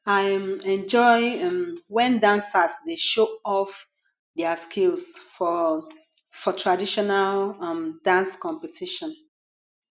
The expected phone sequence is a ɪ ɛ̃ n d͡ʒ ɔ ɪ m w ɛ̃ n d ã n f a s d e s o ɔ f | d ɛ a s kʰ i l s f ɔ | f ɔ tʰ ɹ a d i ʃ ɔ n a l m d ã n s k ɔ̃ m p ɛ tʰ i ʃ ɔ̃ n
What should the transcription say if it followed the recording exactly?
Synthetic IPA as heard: a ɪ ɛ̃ n d͡ʒ ɔ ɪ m w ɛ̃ n d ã n s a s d e ʃ o ɔ f | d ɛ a s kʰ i l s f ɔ | f ɔ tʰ ɹ a d i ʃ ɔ n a l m d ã n s k ɔ̃ m p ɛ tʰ i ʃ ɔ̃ n